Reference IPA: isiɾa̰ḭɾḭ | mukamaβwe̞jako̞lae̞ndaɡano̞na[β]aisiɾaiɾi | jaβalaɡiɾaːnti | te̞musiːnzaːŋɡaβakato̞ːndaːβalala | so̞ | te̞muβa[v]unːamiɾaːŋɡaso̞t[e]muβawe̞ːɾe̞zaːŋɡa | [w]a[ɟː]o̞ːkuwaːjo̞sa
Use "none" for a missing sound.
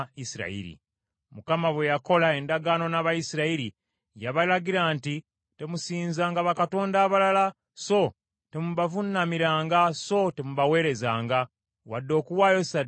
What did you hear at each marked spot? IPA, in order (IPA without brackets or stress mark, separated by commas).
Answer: β, v, e, w, dː